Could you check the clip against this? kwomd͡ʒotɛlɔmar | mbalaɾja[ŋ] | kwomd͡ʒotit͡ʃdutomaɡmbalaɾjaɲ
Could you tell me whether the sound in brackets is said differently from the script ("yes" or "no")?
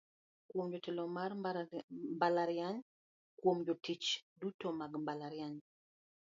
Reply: yes